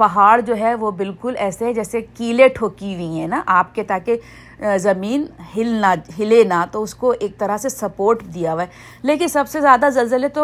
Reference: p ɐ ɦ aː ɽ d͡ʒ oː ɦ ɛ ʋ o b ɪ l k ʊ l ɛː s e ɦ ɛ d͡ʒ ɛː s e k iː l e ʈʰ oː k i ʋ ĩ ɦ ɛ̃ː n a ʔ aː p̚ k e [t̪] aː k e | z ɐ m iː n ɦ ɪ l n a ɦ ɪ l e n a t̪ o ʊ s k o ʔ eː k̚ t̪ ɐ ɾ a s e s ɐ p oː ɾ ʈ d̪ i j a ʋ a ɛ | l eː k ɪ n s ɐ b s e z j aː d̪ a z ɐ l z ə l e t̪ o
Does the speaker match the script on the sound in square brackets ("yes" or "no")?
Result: yes